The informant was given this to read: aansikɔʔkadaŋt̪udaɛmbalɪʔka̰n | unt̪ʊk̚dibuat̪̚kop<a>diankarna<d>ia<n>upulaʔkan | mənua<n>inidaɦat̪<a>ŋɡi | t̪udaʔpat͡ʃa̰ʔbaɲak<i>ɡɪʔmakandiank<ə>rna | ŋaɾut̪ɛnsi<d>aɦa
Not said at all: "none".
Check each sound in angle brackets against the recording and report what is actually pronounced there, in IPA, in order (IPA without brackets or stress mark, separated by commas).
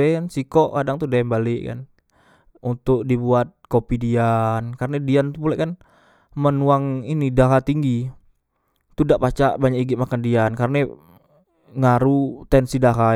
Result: i, d, n, ŋ, i, i, a, d